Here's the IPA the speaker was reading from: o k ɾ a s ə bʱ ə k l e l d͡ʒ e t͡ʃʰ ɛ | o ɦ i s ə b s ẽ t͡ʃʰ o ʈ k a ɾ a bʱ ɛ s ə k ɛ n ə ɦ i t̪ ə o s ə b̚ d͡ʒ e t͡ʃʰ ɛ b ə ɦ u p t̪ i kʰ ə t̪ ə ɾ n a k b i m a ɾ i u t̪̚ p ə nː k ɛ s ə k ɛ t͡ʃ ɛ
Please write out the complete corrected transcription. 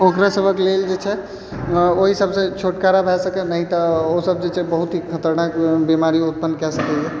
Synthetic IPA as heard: o k ɾ a s ə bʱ ə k l e l d͡ʒ e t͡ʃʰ ɛ | o ɦ i s ə b s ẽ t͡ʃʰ o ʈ k a ɾ a bʱ ɛ s ə k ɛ n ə ɦ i t̪ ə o s ə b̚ d͡ʒ e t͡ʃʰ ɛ b ə ɦ u t̪ i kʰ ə t̪ ə ɾ n a k b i m a ɾ i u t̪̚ p ə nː k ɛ s ə k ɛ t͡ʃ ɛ